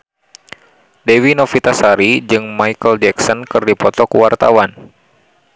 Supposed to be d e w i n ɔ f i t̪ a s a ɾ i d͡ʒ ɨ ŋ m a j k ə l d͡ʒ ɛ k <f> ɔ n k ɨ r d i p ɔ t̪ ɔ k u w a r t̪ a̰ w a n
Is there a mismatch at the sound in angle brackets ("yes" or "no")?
yes